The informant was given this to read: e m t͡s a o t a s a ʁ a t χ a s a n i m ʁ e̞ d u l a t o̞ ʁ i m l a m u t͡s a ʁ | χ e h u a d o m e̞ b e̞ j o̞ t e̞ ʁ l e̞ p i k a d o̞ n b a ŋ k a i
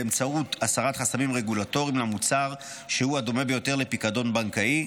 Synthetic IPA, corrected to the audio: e m t͡s a u t a s a ʁ a t χ a s a m i m ʁ e̞ ɡ u l a t o̞ ʁ i m l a m u t͡s a ʁ | ʃ e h u a d o m e̞ b e̞ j o̞ t e̞ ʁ l e̞ p i k a d o̞ n b a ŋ k a i